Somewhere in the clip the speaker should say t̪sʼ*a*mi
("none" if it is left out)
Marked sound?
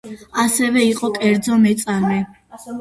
a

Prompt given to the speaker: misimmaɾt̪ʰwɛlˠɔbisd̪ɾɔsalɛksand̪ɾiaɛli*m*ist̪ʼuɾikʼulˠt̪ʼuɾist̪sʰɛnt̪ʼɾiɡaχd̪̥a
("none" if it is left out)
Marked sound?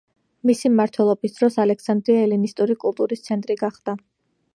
n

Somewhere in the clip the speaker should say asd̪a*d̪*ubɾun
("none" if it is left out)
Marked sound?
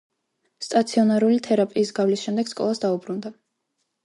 none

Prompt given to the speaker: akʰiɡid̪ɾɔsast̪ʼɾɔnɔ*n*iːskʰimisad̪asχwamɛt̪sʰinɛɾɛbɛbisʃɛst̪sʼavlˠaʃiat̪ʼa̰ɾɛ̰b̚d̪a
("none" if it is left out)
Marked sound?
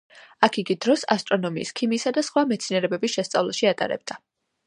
m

